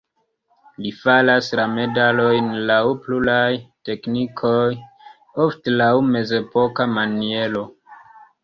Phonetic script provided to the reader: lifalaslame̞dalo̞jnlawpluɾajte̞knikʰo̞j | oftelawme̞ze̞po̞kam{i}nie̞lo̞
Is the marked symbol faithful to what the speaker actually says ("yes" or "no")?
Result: no